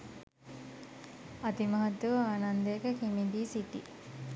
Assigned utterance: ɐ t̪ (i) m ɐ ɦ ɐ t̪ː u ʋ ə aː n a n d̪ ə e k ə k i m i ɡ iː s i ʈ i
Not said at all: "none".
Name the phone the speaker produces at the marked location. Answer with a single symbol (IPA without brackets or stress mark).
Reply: i